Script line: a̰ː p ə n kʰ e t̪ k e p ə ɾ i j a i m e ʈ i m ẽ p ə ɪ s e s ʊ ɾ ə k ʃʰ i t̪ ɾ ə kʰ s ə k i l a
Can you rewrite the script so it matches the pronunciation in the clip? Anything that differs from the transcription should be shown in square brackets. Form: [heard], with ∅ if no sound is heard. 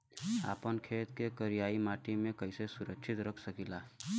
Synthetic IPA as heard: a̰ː p ə n kʰ e t̪ k e [k] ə ɾ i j a i m [a] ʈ i m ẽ [k] ə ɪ s e s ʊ ɾ ə k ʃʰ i t̪ ɾ ə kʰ s ə k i l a